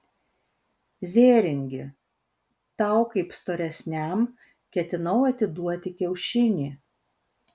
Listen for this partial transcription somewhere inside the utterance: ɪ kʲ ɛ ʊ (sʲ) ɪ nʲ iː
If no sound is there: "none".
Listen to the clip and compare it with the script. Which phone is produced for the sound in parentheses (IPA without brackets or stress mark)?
ʃʲ